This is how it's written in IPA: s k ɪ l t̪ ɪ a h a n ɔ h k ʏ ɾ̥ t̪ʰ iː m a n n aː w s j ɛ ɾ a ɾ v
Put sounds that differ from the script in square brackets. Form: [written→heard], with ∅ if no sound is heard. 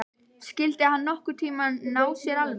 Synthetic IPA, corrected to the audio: s [k→c] ɪ l t̪ ɪ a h a [n→nː] ɔ h k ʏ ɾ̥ t̪ʰ iː m a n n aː w s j ɛ ɾ a [ɾ→l] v